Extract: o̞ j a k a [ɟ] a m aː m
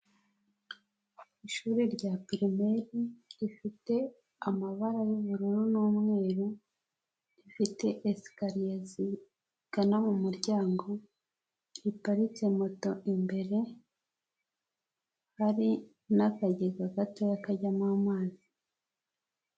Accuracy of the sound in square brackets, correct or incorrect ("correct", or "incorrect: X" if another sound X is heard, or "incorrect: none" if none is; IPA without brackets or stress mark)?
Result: correct